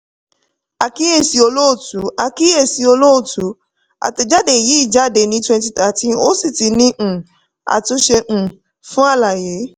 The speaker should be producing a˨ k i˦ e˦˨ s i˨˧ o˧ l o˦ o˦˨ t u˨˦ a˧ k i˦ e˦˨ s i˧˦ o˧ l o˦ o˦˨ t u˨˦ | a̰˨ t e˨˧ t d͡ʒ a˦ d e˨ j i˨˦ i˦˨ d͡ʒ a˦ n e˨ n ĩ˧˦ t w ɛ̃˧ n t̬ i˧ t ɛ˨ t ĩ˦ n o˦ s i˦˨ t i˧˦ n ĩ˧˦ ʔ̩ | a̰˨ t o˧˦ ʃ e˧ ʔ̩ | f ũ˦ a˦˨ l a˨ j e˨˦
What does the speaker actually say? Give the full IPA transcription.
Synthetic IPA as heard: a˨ k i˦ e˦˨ s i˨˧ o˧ l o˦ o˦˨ t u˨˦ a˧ k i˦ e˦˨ s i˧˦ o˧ l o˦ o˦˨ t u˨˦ | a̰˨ t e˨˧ d͡ʒ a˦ d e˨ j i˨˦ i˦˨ d͡ʒ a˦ d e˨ n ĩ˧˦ t w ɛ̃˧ n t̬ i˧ t a˨ t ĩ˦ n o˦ s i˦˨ t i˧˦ n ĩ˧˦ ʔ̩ | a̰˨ t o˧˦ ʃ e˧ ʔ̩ | f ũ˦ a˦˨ l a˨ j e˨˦